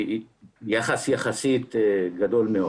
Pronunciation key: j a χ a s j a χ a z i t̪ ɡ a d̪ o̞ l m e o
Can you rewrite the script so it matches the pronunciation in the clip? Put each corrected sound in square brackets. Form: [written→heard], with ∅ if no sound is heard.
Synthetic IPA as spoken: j a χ a s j a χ a [z→s] i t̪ ɡ a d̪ o̞ l m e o